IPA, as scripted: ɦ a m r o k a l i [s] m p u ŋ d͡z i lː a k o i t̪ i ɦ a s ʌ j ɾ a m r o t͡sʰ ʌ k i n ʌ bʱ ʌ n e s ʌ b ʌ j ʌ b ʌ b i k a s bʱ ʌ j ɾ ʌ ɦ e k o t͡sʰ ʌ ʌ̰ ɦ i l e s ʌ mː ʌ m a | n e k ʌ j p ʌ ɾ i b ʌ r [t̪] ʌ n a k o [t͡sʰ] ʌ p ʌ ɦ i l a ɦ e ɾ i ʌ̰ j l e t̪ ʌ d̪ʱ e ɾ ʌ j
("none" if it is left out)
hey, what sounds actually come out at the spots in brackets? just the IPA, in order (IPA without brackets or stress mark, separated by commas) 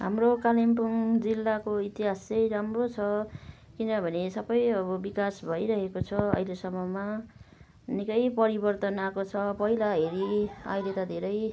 none, t̪, t͡sʰ